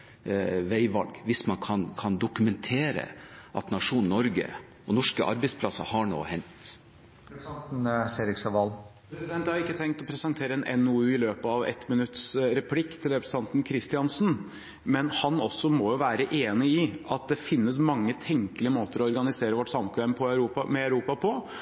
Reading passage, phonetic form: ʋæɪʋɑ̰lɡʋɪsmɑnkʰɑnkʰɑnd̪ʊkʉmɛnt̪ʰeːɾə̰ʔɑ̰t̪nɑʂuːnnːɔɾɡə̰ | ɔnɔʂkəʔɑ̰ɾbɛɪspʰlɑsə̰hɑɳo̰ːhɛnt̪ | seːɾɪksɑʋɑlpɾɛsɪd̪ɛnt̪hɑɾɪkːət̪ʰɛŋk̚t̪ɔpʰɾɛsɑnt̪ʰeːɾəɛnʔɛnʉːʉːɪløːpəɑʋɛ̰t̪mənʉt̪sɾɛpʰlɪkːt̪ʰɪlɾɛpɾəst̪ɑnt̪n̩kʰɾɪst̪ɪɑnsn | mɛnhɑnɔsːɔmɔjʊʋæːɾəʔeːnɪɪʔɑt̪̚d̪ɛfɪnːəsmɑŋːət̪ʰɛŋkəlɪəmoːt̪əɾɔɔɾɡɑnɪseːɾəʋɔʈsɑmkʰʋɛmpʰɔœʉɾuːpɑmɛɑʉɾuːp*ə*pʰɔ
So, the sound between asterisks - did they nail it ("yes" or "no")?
no